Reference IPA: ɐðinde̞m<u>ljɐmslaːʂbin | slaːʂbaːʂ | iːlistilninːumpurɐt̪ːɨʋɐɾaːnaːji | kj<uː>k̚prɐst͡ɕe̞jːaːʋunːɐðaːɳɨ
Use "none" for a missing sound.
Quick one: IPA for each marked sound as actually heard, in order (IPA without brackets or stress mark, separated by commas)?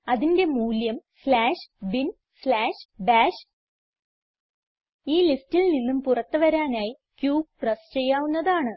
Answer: uː, uː